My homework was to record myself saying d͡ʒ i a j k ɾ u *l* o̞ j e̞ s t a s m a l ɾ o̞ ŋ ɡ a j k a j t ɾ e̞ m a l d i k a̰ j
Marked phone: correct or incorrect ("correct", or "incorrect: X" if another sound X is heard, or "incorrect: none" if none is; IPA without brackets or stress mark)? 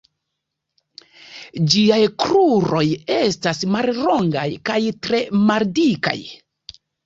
incorrect: ɾ